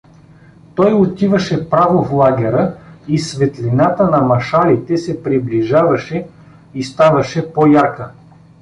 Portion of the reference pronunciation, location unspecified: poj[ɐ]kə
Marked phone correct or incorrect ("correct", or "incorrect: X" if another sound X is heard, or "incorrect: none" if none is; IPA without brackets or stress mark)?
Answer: incorrect: a